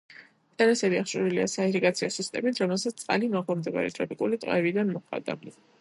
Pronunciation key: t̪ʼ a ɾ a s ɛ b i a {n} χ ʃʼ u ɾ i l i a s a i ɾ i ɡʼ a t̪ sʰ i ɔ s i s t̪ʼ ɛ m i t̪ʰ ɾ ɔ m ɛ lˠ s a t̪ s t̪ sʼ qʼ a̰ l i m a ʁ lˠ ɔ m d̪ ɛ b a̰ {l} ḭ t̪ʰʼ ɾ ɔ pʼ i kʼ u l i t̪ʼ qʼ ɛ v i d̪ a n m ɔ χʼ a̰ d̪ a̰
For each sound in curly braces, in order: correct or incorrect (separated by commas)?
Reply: incorrect, incorrect